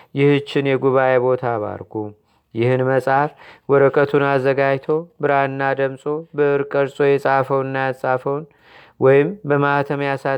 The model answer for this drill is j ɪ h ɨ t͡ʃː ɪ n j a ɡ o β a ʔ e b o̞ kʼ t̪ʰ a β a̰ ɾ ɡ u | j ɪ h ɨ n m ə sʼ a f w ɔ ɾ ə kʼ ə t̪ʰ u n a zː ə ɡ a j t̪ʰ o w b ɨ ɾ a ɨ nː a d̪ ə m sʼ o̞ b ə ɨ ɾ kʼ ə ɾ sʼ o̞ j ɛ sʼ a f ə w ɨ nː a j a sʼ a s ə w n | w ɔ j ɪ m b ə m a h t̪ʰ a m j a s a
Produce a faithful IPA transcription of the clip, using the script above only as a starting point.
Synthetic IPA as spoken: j ɪ h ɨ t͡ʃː ɪ n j ɛ ɡ u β a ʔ e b o̞ t̪ʰ a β a̰ ɾ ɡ u | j ɪ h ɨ n m ə sʼ a f w ɔ ɾ ə kʼ ə t̪ʰ u n a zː ə ɡ a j t̪ʰ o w b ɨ ɾ a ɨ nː a d̪ ə m sʼ o̞ b ə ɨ ɾ kʼ ə ɾ sʼ o̞ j ɛ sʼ a f ə w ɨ nː a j a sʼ a f ə w n | w ɔ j ɪ m b ə m a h t̪ʰ ə m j a s a